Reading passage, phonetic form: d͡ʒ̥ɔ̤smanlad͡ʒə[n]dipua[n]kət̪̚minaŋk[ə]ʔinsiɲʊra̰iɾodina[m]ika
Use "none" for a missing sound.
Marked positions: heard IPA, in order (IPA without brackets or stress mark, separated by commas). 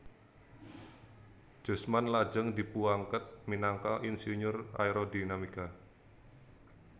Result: ŋ, ŋ, a, m